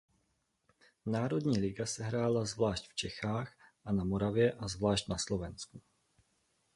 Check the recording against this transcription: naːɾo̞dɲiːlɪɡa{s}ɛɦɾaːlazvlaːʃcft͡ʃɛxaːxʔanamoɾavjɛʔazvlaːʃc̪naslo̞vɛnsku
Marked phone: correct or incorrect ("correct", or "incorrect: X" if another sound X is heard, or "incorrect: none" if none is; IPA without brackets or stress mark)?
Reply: correct